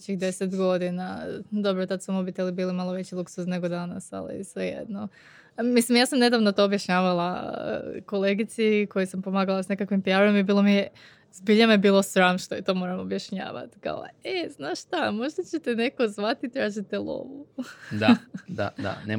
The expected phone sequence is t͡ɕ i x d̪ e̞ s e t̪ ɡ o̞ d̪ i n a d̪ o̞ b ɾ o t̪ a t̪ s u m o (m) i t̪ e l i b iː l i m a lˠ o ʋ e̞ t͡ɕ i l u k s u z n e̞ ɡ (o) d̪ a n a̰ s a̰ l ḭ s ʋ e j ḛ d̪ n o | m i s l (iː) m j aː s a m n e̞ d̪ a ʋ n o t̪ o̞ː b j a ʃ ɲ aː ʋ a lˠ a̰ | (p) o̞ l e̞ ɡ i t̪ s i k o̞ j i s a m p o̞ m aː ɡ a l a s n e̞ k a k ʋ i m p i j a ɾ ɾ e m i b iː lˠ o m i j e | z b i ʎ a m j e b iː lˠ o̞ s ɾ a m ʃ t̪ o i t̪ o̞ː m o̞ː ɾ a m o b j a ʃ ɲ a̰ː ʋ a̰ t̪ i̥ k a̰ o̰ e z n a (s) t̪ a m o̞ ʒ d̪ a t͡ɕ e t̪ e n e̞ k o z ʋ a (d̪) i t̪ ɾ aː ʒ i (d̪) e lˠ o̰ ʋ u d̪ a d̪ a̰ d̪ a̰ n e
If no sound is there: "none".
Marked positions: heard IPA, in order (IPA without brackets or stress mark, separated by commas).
b, o, i, k, ʃ, t̪, t̪